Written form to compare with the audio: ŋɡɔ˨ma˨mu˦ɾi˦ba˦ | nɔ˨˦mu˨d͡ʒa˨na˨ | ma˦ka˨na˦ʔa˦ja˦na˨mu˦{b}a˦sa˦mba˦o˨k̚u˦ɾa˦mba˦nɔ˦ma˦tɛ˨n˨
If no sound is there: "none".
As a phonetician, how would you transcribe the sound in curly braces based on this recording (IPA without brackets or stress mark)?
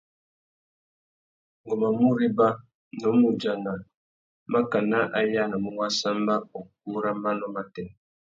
w